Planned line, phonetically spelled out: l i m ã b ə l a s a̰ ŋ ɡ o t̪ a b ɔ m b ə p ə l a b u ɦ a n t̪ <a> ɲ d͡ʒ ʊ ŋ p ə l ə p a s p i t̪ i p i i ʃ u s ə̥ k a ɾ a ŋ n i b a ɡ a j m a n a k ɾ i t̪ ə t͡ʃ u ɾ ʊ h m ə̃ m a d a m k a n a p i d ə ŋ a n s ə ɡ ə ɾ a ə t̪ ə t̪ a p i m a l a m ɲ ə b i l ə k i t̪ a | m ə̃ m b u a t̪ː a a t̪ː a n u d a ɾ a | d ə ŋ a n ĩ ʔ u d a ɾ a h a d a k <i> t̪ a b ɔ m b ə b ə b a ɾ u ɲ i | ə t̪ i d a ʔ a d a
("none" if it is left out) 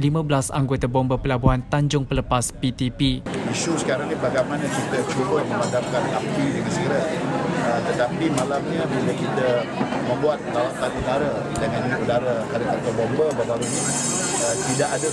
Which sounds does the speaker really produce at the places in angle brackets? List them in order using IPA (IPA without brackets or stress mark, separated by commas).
a, a